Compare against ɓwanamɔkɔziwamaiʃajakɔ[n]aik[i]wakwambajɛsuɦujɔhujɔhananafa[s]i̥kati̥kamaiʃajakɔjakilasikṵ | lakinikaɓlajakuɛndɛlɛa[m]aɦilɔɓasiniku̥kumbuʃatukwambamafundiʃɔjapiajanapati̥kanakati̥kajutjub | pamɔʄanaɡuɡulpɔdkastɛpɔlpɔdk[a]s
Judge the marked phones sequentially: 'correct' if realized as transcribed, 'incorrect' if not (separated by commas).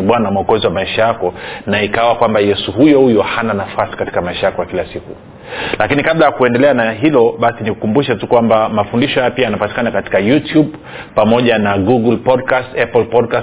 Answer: correct, incorrect, correct, incorrect, correct